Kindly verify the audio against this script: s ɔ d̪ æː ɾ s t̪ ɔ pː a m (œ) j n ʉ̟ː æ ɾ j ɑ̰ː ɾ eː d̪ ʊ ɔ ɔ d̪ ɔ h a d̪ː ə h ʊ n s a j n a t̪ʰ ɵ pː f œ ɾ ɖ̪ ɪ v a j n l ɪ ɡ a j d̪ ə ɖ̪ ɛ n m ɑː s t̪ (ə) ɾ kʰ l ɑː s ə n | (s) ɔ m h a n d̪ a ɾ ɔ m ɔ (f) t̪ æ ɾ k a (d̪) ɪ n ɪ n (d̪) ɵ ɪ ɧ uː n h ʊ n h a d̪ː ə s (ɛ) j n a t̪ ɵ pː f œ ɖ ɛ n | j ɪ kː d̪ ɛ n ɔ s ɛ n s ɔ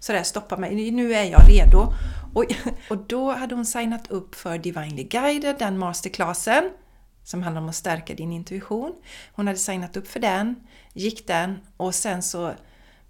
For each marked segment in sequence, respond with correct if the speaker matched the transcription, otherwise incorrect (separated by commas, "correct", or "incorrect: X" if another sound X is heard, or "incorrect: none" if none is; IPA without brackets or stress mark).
incorrect: ɛ, correct, correct, incorrect: s, correct, incorrect: t̪, incorrect: a